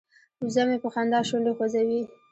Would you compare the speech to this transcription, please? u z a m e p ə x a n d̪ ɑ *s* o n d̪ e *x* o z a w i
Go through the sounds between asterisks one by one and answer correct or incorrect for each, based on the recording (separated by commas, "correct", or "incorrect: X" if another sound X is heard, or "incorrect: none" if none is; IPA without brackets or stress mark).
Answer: incorrect: ʃ, correct